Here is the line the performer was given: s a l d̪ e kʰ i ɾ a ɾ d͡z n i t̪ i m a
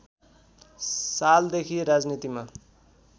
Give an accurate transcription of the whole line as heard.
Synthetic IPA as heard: s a l d̪ e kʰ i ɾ a d͡z n i t̪ i m a